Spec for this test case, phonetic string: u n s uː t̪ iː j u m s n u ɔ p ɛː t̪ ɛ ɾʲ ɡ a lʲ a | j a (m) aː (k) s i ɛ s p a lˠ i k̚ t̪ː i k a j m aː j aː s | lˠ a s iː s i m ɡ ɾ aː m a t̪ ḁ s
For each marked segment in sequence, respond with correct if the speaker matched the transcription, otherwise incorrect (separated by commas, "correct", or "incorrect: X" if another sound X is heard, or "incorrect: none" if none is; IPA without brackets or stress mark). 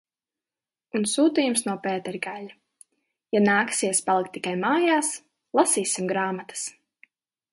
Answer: incorrect: n, correct